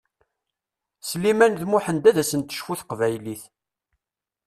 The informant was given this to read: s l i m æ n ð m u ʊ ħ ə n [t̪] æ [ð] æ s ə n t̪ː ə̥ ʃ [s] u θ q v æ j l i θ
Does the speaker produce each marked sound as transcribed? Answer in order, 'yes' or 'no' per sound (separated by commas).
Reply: no, yes, no